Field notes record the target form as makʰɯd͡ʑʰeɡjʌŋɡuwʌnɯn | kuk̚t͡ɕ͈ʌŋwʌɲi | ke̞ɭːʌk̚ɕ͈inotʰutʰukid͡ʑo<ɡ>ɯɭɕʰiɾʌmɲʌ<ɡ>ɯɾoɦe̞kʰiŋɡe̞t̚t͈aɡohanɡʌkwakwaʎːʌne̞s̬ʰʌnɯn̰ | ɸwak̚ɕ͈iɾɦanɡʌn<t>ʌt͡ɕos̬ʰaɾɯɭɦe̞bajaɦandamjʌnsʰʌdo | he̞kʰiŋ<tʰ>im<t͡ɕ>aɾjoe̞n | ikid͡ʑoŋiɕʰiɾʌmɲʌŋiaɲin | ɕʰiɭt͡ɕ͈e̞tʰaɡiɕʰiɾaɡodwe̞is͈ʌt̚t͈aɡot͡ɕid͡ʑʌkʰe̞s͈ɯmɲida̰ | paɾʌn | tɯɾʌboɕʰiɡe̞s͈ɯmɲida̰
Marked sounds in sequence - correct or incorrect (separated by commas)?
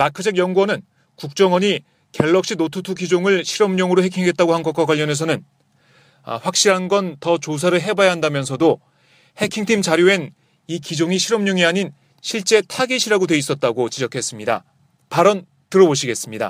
incorrect, incorrect, correct, correct, correct